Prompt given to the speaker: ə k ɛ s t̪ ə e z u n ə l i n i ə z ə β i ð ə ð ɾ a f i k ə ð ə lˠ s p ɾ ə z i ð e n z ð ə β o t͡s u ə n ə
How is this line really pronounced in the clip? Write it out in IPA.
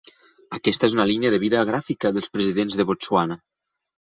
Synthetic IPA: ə k ɛ s t̪ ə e z u n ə l i n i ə ð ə β i ð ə ɣ ɾ a f i k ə ð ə lˠ s p ɾ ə z i ð e n z ð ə β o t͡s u a n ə

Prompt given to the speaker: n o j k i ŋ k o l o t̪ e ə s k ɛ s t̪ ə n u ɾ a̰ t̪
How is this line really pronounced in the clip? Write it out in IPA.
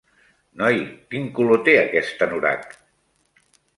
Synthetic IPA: n ɔ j k i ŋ k u l o t̪ e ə k ɛ s t̪ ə n u ɾ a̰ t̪

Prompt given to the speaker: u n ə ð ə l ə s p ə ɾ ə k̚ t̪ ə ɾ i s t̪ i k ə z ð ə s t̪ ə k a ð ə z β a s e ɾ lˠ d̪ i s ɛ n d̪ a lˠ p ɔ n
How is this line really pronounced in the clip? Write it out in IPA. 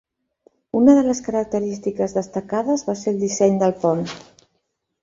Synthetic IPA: u n ə ð ə l ə s k ə ɾ ə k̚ t̪ ə ɾ i s t̪ i k ə z ð ə s t̪ ə k a ð ə z β a s e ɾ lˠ d̪ i s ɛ ɲ d̪ ə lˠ p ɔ n

